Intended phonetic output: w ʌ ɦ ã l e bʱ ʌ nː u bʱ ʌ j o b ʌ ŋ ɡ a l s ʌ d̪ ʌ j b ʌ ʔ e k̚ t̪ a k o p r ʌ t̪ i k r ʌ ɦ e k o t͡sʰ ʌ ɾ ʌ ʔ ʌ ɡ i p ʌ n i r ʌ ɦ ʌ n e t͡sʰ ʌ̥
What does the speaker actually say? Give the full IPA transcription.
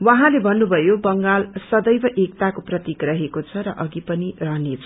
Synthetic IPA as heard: w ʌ ɦ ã l e bʱ ʌ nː u bʱ ʌ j o b ʌ ŋ ɡ a l s ʌ d̪ ʌ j b ʌ ʔ e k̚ t̪ a k o p r ʌ t̪ i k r ʌ ɦ e k o t͡sʰ ʌ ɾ ʌ ʔ ʌ ɡ i p ʌ n i r ʌ ɦ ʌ n e t͡sʰ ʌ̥